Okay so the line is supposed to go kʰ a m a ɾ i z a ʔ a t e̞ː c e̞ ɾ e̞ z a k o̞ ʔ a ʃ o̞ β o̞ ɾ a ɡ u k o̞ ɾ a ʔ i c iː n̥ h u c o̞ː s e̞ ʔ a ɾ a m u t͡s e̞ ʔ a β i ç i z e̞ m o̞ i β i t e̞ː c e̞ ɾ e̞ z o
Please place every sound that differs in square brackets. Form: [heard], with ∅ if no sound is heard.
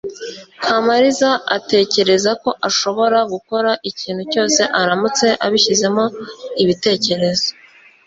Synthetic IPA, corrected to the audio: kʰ a m a ɾ i z a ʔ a t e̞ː c e̞ ɾ e̞ z a k o̞ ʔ a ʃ o̞ β o̞ ɾ a ɡ u k o̞ ɾ a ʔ i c iː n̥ h u c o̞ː s e̞ ʔ a ɾ a m u t͡s e̞ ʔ a β i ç i z e̞ m o̞ i β i t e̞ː c e̞ ɾ e̞ z o